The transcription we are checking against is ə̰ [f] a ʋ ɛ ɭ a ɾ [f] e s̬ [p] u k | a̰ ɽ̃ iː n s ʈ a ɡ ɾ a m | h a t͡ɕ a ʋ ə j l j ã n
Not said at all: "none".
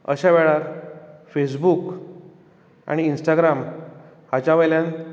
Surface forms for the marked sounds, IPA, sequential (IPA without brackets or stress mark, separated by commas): ɕ, f, b